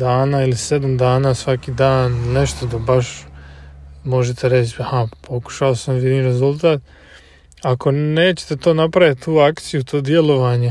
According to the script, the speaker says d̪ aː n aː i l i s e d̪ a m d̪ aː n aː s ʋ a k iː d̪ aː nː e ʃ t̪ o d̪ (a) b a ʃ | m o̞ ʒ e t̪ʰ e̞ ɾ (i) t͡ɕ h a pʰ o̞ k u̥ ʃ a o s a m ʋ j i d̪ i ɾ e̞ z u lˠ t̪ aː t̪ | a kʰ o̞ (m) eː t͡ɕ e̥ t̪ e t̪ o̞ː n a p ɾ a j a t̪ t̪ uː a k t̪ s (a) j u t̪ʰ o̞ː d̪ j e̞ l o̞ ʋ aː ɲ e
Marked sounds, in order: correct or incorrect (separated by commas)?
correct, incorrect, incorrect, incorrect